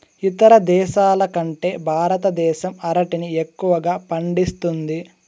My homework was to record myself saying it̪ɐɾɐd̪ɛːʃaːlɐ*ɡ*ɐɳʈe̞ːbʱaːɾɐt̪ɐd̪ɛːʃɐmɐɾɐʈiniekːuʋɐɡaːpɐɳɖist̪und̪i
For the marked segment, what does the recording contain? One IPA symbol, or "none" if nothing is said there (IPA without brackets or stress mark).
k